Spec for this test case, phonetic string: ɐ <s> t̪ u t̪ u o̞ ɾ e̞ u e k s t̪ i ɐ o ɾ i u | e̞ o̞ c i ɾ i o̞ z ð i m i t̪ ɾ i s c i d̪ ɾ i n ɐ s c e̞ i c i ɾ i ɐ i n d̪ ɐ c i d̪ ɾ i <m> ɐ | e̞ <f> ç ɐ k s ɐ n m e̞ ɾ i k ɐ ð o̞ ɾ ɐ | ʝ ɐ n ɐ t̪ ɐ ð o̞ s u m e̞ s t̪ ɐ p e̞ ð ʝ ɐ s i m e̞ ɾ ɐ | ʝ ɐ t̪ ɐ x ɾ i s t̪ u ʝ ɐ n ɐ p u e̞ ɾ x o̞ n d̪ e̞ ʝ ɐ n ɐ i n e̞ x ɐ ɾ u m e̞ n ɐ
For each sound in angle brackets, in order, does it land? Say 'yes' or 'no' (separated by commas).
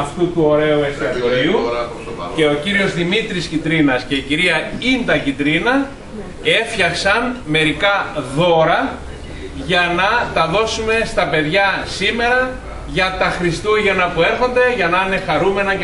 no, no, yes